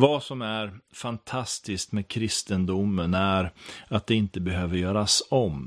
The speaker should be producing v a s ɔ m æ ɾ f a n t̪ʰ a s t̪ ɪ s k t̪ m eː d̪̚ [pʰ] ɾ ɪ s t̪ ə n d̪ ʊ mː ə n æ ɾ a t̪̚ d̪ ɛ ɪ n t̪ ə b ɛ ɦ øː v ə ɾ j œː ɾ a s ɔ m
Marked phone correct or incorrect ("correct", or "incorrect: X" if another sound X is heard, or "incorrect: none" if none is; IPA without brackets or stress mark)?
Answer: incorrect: kʰ